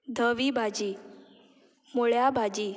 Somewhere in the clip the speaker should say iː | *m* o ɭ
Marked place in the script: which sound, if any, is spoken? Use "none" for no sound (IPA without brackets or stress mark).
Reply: m